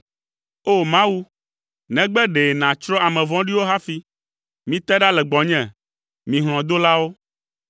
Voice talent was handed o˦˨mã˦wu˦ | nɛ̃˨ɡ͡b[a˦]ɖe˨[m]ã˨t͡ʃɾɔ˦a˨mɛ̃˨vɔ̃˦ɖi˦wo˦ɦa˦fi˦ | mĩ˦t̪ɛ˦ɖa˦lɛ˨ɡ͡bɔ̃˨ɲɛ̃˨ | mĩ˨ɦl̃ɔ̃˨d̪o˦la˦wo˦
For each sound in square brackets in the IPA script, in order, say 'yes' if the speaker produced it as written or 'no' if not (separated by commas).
no, no